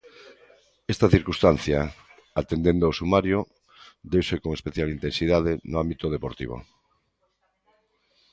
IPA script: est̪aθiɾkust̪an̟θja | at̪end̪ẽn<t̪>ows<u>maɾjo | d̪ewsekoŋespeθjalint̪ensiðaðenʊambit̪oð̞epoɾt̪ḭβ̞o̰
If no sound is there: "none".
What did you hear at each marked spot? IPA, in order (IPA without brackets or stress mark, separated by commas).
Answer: d̪, u